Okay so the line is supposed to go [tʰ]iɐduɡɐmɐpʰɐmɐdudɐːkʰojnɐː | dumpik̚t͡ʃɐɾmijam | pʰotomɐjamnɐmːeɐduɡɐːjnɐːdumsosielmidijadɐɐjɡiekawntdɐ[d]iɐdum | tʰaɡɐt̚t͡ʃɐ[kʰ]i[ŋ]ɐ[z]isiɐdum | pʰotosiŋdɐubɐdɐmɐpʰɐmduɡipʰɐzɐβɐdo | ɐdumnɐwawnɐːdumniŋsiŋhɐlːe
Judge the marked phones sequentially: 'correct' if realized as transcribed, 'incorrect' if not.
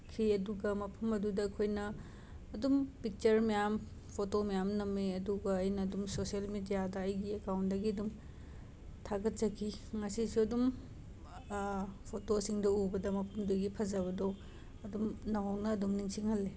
incorrect: kʰ, incorrect: ɡ, correct, correct, incorrect: s

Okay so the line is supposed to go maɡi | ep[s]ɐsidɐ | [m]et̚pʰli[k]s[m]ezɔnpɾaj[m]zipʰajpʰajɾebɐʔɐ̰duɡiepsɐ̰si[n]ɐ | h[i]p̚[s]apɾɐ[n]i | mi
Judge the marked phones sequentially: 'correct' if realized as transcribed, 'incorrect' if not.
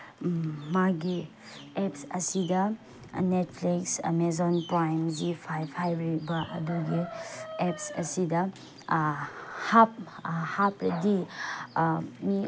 correct, incorrect: n, correct, correct, correct, incorrect: d, incorrect: a, incorrect: h, incorrect: d

